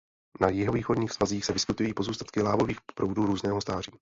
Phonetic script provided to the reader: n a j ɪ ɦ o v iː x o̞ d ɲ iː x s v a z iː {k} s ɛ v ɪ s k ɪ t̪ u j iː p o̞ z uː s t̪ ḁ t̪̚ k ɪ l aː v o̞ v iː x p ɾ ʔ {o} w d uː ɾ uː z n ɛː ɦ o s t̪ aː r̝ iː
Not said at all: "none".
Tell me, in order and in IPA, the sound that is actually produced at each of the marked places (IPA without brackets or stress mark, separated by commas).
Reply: x, o